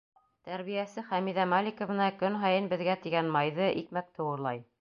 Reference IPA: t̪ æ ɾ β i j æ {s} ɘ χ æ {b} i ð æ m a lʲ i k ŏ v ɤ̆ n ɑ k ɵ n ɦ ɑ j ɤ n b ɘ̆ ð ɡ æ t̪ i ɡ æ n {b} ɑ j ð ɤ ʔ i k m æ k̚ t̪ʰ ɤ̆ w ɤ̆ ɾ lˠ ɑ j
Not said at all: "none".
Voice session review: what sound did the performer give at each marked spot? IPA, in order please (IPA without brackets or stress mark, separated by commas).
s, m, m